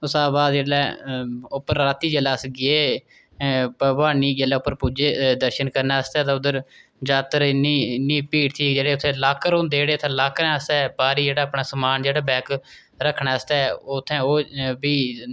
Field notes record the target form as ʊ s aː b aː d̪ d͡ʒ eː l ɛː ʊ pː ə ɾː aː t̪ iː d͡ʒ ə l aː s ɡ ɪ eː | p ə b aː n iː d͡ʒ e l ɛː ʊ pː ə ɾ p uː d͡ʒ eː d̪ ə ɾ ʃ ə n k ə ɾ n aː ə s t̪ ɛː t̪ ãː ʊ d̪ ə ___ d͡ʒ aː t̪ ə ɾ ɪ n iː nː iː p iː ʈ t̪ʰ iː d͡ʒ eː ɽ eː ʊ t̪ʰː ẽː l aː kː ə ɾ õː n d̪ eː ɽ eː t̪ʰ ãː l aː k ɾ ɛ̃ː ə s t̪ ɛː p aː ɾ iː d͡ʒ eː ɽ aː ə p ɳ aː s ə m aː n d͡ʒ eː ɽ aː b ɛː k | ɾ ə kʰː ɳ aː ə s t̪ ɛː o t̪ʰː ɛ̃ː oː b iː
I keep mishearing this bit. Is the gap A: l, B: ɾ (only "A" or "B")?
B